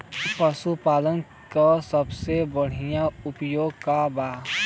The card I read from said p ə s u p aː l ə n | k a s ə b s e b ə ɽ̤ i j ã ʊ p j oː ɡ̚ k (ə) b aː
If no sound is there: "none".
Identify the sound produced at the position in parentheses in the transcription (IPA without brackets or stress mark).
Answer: a